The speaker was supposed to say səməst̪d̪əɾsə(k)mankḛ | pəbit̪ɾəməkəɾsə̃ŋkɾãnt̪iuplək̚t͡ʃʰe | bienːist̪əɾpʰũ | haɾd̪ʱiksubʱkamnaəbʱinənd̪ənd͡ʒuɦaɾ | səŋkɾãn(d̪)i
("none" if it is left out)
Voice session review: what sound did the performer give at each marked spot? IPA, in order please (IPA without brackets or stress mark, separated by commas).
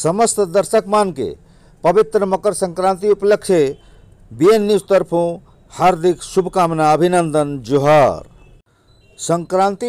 k, t̪